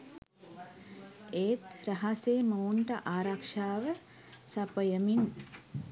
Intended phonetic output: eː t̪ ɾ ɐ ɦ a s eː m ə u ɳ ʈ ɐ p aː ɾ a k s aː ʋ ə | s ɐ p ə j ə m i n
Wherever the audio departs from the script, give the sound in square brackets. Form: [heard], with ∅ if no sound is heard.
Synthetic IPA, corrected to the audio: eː t̪ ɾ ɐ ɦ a s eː m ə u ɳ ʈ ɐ [ʔ] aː ɾ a k [ʂ] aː ʋ ə | s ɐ p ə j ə m i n